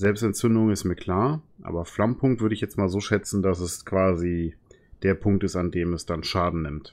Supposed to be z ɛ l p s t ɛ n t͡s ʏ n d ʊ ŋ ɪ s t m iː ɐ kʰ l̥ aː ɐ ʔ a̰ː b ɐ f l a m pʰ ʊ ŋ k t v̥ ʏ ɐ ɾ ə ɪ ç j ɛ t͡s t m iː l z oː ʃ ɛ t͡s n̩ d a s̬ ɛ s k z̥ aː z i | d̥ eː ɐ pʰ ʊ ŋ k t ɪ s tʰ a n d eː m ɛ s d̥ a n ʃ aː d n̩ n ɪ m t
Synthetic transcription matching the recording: z ɛ l p s t ɛ n t͡s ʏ n d ʊ ŋ ɪ s t m iː ɐ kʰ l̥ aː ɐ ʔ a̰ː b ɐ f l a m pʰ ʊ ŋ k t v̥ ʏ ɐ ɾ ə ɪ ç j ɛ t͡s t m aː l z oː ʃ ɛ t͡s n̩ d a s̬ ɛ s k v̥ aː z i | d̥ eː ɐ pʰ ʊ ŋ k t ɪ s t a n d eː m ɛ s d̥ a n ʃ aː d n̩ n ɪ m t